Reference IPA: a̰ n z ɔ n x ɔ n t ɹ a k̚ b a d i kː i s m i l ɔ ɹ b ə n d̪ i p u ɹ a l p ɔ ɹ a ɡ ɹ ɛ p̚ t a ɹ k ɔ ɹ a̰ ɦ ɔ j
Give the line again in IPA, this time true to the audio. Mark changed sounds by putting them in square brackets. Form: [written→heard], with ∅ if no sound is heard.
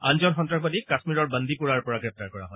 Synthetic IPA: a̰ n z ɔ n x ɔ n t ɹ a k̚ b a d i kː [i→a] s m i [l→ɹ] ɔ ɹ b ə n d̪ i p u ɹ a [l→ɹ] p ɔ ɹ a ɡ ɹ ɛ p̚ t a ɹ k ɔ ɹ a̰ ɦ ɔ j